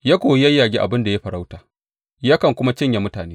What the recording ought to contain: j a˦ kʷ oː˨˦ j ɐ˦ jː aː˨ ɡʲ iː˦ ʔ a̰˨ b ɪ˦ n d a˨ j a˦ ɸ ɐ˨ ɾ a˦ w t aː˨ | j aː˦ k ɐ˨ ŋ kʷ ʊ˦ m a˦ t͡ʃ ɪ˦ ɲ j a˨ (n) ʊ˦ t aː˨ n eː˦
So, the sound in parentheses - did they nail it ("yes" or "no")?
no